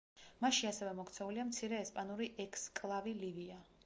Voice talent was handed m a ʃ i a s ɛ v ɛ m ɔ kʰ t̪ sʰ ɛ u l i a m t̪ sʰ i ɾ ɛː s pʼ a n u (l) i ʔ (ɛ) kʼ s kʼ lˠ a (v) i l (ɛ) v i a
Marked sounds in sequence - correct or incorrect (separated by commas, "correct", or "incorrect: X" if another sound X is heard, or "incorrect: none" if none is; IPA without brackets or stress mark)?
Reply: incorrect: ɾ, correct, correct, incorrect: i